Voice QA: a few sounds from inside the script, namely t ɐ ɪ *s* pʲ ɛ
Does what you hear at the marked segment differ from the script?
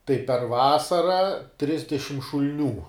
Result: yes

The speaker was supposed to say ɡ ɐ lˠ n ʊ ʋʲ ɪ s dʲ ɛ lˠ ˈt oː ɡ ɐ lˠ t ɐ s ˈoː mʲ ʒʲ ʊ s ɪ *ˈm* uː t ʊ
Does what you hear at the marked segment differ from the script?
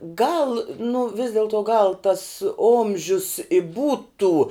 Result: yes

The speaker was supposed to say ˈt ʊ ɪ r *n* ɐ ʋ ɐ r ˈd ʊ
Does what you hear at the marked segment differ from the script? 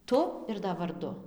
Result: yes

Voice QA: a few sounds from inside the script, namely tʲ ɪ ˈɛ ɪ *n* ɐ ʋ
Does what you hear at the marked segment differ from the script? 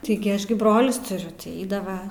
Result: yes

